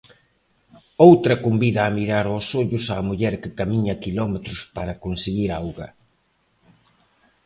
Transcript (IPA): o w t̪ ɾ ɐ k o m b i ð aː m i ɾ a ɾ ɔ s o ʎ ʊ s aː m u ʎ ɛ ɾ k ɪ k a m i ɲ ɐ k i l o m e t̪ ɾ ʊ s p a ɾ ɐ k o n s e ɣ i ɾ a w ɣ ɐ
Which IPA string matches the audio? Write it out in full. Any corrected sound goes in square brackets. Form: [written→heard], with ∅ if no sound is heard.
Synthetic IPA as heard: o w t̪ ɾ ɐ k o m b i ð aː m i ɾ a ɾ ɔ s o ʎ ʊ s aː m u ʎ ɛ ɾ k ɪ k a m i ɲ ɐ k i l [o→ɔ] m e t̪ ɾ ʊ s p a ɾ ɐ k o n s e ɣ i ɾ a w ɣ ɐ